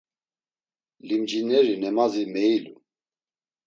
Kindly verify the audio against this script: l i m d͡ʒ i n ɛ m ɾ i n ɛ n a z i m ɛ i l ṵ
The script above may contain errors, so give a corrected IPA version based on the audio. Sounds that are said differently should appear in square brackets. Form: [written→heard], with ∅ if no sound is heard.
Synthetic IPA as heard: l i m d͡ʒ i n ɛ [m→∅] ɾ i n ɛ [n→m] a z i m ɛ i l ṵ